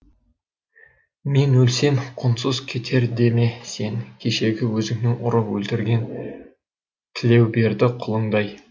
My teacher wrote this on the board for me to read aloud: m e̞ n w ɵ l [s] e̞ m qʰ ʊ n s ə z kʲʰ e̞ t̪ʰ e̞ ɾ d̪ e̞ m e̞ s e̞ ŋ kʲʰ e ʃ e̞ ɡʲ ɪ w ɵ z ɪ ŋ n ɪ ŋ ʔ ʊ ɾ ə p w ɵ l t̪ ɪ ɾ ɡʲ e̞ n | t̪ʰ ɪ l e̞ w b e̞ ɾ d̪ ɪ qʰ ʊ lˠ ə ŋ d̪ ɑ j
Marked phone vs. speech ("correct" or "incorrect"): correct